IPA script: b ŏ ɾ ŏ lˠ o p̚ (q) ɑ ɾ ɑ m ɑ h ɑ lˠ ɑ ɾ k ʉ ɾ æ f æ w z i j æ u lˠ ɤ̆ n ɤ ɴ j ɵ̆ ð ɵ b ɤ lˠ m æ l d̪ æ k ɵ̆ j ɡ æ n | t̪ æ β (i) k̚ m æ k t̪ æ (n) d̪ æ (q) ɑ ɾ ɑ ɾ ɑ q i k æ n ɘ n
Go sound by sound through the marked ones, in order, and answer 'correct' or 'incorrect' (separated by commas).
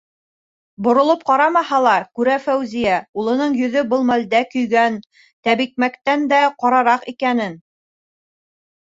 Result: correct, correct, correct, correct